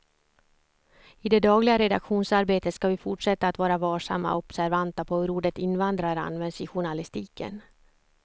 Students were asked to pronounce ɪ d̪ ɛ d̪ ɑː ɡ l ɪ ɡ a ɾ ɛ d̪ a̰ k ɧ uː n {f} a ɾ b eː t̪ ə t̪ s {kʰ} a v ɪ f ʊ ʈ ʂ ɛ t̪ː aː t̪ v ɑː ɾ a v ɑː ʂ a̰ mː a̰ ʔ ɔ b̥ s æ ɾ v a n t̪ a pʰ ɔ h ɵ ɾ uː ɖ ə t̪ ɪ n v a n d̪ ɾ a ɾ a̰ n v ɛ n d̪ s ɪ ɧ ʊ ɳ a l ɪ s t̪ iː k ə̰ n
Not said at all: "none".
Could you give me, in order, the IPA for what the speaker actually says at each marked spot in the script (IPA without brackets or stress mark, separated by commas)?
s, k